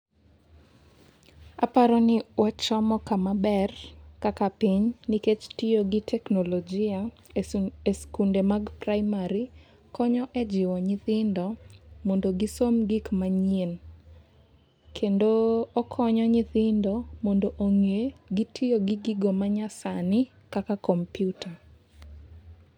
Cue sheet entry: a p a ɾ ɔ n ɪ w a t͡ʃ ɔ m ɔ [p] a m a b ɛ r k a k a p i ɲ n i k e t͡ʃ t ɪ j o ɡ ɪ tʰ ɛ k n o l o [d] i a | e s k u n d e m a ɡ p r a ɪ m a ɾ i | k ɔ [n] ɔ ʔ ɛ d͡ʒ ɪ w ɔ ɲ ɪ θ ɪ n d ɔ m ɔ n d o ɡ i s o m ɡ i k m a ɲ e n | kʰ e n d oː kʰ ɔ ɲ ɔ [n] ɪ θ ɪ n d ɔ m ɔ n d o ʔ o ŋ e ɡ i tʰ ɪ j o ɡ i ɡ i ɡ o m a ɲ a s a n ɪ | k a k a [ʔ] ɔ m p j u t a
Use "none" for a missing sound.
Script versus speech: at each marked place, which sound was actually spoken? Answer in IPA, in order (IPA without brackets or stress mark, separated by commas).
k, d͡ʒ, ɲ, ɲ, k